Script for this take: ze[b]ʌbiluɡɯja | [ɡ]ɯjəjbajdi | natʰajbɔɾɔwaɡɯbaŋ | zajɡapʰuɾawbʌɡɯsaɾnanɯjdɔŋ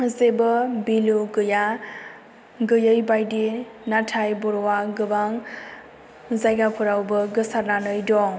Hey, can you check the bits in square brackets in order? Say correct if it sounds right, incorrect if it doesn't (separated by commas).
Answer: correct, correct